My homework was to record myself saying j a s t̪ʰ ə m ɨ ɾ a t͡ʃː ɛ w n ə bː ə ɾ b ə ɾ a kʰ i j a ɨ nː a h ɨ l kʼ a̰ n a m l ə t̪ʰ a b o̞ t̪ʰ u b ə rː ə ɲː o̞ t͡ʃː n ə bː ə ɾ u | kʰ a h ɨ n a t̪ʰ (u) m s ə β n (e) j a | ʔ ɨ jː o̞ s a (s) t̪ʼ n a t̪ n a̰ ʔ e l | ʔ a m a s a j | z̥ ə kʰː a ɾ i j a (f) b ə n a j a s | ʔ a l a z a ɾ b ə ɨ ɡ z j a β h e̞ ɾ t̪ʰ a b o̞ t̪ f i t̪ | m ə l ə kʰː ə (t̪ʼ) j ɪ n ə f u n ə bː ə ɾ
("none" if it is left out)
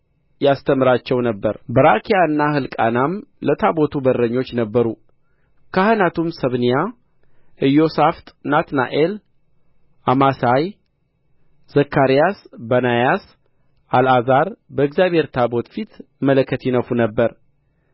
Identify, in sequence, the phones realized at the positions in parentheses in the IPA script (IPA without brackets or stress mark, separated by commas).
u, i, f, s, t̪